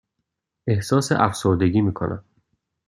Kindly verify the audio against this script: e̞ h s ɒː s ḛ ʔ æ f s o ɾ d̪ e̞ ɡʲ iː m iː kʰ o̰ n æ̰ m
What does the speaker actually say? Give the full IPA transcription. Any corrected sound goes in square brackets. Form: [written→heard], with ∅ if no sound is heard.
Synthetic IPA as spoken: e̞ h s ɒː s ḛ ʔ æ f s o ɾ d̪ e̞ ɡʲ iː m iː kʰ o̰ n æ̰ m

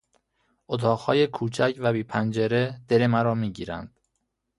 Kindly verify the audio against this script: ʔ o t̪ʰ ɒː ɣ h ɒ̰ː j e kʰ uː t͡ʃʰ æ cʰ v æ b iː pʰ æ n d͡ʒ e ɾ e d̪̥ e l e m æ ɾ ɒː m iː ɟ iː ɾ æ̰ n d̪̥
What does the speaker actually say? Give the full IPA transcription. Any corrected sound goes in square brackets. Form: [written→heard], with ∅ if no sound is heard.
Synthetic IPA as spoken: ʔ o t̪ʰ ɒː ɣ h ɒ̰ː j e kʰ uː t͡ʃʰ æ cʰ v æ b iː pʰ æ n d͡ʒ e ɾ e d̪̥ e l e m æ ɾ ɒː m iː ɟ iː ɾ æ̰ n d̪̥

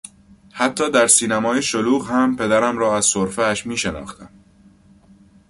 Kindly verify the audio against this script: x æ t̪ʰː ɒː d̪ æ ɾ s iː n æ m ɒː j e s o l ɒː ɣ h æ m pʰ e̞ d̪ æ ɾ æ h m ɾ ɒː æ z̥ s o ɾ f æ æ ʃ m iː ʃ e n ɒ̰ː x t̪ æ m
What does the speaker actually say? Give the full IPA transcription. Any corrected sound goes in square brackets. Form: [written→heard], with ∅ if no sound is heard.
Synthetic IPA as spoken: [x→h] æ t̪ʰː ɒː d̪ æ ɾ s iː n æ m ɒː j e [s→ʃ] o l [ɒː→uː] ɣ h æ m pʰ e̞ d̪ æ ɾ æ [h→∅] m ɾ ɒː æ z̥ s o ɾ f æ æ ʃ m iː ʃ e n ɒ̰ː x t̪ æ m

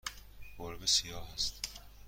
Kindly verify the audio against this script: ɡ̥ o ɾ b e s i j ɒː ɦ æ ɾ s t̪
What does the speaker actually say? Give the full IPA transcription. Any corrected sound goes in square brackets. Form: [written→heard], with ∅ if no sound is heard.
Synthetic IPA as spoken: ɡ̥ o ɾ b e s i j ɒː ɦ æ [ɾ→∅] s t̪

